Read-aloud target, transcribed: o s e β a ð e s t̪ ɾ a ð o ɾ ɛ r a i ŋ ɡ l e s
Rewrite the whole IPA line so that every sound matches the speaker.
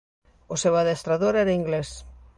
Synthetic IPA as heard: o s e w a ð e s t̪ ɾ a ð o ɾ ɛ ɾ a i ŋ ɡ l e s